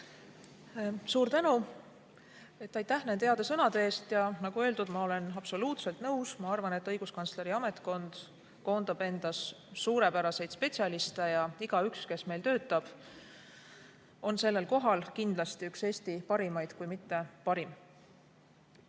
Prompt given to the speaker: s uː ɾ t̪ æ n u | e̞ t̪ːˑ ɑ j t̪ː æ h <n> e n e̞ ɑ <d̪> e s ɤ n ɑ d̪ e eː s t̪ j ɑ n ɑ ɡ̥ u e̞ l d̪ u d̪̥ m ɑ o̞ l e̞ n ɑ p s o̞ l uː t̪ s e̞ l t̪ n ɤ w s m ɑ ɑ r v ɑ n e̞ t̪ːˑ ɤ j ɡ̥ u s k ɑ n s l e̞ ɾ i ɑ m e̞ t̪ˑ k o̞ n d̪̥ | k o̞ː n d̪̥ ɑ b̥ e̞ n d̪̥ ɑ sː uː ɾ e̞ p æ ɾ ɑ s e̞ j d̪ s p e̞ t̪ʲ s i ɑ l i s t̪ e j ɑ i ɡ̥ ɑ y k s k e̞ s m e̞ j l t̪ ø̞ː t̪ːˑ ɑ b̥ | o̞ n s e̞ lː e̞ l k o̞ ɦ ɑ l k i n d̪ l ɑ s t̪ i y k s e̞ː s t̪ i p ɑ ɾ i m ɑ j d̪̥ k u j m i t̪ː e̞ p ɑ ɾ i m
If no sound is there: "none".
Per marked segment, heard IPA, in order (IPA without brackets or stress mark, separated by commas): n, d̪